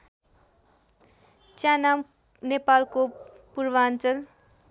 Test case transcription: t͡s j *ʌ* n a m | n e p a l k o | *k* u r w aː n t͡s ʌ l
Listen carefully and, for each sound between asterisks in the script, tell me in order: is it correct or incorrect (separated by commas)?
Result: incorrect, incorrect